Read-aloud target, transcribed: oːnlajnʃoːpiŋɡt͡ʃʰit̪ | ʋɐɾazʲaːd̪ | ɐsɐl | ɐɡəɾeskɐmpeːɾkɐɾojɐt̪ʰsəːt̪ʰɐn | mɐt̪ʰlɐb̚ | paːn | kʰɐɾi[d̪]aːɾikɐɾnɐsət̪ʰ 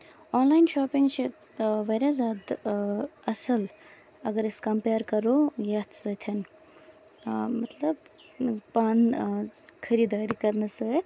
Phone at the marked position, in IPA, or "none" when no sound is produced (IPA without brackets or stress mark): d̪